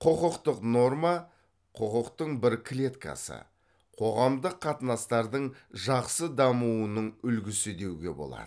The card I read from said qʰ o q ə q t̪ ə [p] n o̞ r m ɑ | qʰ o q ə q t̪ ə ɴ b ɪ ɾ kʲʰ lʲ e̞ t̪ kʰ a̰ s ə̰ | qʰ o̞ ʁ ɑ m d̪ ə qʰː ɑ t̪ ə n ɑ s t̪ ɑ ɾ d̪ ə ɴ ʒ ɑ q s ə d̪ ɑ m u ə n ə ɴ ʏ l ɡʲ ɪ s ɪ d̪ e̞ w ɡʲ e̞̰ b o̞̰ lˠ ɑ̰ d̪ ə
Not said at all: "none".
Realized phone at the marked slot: q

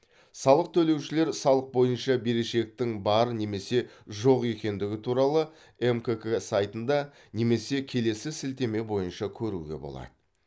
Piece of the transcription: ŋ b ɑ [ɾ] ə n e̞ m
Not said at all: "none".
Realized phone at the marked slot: ɾ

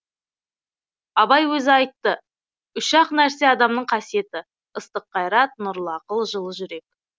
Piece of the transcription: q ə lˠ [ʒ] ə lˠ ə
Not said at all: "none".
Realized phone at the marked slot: ʒ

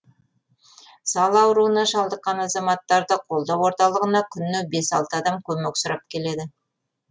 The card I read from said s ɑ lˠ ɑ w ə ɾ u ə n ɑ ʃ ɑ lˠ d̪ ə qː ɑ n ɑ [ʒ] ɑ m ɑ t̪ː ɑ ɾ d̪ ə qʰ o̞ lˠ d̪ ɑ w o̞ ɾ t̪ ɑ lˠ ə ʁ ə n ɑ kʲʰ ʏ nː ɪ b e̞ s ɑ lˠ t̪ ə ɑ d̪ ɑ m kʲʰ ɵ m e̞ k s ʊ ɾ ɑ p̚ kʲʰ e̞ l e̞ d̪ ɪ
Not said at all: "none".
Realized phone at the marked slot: z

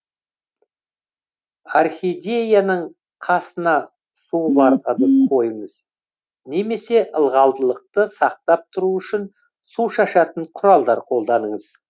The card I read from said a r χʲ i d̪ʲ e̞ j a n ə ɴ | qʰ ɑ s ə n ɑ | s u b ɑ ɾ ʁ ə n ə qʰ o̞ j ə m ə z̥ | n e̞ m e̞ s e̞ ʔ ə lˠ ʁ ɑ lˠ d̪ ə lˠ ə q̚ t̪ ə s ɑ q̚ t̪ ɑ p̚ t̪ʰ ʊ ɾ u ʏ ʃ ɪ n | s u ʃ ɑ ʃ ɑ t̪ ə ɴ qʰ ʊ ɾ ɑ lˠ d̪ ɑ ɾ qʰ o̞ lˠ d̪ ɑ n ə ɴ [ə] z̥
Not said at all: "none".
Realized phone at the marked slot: ə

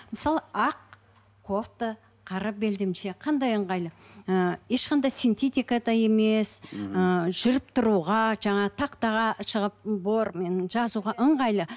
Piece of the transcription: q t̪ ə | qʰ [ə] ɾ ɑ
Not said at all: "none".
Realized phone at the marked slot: ɑ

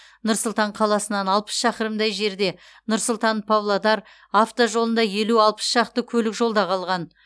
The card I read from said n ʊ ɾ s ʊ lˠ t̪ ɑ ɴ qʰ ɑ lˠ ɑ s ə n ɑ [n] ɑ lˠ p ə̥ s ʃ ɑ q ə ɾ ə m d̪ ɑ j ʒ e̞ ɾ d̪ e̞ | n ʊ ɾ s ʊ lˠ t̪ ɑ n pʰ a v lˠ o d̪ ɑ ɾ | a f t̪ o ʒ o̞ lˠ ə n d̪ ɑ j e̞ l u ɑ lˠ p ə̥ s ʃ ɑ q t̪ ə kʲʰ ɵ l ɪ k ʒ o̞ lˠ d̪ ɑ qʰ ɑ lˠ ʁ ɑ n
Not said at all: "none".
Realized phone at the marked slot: n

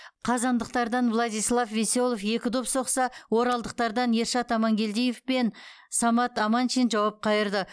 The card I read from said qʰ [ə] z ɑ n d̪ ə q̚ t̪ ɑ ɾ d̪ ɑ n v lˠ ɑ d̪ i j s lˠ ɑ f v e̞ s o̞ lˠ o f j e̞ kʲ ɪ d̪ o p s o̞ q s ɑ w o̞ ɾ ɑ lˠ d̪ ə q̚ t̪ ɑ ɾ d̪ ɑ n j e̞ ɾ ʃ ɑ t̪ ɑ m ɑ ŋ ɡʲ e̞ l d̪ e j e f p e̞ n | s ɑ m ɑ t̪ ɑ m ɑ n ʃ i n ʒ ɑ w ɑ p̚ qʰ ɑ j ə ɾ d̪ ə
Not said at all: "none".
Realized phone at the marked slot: ɑ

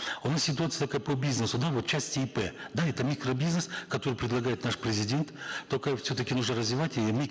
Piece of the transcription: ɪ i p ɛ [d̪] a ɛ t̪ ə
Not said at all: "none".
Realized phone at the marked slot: d̪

